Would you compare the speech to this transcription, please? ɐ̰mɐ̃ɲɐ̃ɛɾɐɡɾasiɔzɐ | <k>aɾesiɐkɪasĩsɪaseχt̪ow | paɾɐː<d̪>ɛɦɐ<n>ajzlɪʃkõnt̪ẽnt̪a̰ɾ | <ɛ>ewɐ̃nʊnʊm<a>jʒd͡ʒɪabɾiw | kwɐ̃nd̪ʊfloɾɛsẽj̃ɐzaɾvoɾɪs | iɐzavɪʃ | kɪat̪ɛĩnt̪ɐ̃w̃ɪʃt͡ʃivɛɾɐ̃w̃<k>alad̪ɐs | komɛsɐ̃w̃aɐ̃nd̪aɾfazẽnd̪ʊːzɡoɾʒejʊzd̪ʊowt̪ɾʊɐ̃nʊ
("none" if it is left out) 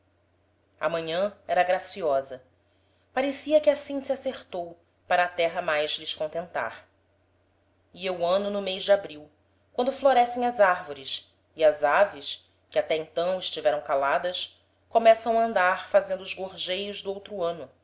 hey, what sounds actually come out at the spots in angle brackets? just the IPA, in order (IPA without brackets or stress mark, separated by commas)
p, t̪, m, i, e, k